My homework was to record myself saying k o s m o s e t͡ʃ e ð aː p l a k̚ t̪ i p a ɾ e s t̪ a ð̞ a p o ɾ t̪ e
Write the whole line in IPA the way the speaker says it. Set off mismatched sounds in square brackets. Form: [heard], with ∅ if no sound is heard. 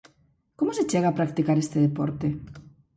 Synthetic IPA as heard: k o [∅] m o s e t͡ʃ e [ɣ] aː p [ɾ] a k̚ t̪ i [k] a ɾ e s t̪ [e] ð̞ [e] p o ɾ t̪ e